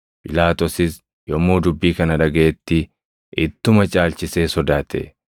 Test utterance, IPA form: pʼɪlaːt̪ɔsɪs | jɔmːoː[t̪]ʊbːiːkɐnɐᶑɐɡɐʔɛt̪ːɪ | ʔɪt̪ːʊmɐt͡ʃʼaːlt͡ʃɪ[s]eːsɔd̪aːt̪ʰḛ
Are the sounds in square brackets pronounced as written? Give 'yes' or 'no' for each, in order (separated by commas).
no, yes